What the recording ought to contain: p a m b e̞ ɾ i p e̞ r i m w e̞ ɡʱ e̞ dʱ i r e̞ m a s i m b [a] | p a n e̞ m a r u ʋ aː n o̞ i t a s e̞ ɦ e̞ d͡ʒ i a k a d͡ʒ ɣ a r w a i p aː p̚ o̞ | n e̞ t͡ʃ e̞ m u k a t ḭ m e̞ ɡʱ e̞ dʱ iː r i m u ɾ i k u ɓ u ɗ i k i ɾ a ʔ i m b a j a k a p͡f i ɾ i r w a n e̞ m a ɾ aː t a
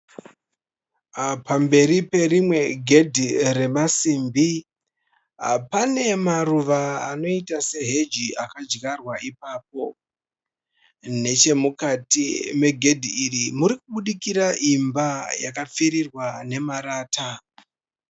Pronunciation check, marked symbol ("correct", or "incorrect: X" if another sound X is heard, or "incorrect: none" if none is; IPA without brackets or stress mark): incorrect: i